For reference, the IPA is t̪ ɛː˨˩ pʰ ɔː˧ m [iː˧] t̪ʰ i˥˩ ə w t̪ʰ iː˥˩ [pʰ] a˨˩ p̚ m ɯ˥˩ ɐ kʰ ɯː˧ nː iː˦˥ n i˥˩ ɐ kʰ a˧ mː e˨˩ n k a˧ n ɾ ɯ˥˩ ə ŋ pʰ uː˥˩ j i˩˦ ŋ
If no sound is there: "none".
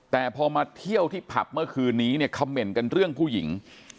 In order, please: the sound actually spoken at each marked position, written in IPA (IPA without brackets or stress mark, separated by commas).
aː˧, pʰ